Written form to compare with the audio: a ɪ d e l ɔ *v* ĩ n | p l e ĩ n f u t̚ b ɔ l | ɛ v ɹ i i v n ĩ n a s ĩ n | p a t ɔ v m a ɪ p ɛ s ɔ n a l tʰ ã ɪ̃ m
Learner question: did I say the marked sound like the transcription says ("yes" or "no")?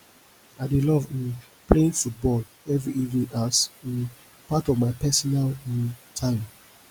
yes